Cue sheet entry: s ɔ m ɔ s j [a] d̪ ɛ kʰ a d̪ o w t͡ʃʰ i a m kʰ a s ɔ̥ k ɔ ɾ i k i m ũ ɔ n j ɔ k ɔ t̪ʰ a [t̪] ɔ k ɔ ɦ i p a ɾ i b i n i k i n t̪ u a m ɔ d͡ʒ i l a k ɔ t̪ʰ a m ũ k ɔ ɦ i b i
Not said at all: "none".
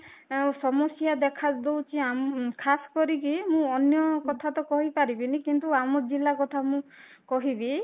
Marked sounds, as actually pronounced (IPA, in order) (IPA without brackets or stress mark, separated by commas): a, t̪